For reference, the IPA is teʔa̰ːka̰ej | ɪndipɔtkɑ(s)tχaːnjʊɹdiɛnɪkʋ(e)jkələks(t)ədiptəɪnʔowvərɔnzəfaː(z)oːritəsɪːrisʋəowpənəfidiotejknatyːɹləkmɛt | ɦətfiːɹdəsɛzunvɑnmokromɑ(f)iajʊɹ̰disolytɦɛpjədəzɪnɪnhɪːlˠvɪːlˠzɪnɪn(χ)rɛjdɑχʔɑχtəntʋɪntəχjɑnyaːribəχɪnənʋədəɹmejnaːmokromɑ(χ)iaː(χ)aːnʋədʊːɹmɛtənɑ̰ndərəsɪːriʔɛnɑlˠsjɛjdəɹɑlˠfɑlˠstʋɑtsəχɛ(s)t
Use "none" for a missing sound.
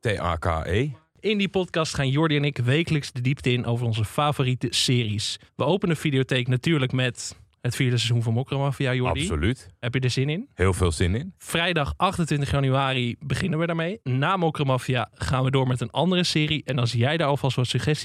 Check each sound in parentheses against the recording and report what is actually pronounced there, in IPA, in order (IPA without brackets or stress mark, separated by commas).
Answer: s, e, d, v, f, f, f, χ, s